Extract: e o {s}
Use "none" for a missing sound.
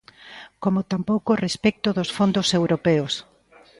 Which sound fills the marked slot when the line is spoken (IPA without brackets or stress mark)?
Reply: s